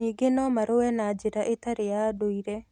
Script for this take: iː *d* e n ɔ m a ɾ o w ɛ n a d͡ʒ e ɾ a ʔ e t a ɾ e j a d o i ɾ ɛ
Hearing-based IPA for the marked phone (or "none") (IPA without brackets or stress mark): ɡ